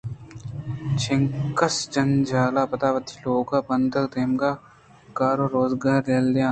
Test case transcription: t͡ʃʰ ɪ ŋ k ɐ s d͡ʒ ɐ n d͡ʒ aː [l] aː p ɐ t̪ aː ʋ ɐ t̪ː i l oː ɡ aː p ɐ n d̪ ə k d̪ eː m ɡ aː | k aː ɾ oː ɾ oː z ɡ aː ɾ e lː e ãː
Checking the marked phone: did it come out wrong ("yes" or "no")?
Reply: no